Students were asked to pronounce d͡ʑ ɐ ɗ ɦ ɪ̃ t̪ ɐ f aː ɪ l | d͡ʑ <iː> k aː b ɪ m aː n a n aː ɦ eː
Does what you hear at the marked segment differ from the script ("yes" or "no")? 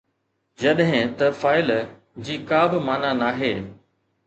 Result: no